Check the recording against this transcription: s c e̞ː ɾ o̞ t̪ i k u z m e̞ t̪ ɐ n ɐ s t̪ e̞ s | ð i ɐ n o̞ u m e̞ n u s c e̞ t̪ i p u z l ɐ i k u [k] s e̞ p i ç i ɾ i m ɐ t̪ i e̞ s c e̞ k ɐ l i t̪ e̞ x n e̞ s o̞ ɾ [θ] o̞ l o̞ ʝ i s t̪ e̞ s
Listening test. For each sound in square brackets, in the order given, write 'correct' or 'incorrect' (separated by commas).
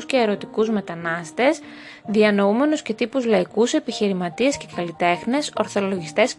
incorrect, correct